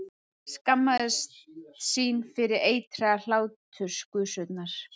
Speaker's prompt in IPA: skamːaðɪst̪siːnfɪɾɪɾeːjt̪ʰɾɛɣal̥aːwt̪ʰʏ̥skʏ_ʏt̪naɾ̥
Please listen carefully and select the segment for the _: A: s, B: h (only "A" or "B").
A